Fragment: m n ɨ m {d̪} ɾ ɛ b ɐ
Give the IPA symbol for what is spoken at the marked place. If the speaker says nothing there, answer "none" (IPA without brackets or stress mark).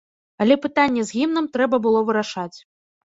t̪